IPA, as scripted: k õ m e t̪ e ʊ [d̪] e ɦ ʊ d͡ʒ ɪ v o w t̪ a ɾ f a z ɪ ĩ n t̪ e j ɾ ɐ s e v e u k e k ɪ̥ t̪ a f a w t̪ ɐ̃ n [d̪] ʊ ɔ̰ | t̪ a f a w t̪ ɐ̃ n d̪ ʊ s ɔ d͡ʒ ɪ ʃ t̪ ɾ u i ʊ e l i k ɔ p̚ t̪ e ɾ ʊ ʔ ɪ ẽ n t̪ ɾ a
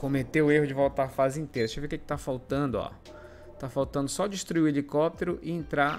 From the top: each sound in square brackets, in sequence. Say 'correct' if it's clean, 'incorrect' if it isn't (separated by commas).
incorrect, correct